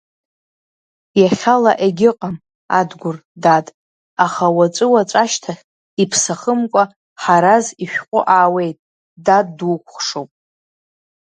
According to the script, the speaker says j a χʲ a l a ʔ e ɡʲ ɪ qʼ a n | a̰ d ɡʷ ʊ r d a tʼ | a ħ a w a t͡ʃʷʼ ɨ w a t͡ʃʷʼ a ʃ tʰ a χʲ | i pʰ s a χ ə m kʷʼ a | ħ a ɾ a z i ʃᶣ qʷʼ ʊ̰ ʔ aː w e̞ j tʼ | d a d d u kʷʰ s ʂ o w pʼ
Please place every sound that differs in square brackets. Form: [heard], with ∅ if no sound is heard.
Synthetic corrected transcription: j a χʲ a l a ʔ e ɡʲ ɪ qʼ a [m] | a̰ d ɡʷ ʊ r d a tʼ | a [χ] a w a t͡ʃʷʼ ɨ w a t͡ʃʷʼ a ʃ tʰ a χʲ | i pʰ s a χ ə m kʷʼ a | ħ a ɾ a z i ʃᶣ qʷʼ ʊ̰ ʔ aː w e̞ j tʼ | d a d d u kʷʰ [χ] ʂ o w pʼ